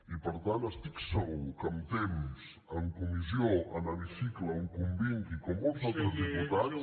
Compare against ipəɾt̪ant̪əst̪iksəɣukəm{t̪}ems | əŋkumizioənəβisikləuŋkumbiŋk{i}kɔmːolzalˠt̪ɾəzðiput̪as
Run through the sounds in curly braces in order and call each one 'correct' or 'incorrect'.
correct, correct

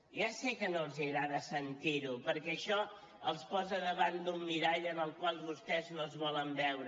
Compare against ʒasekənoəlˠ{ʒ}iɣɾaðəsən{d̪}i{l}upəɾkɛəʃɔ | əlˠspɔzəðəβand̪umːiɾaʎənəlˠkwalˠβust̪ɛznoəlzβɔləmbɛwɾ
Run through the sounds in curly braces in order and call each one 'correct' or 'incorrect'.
incorrect: z, incorrect: t̪, incorrect: ɾ

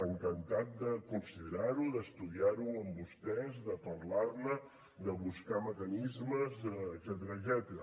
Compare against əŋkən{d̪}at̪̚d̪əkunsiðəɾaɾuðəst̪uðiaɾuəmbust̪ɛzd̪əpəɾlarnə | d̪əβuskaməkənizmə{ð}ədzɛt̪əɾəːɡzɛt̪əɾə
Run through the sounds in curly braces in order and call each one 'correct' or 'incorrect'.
incorrect: t̪, incorrect: z

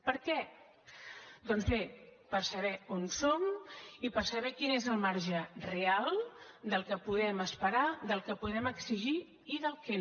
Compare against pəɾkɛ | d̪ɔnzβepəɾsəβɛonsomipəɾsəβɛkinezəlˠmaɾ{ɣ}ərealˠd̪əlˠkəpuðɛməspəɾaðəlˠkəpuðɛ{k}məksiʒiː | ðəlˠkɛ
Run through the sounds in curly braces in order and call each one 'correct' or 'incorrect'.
incorrect: ʒ, incorrect: none

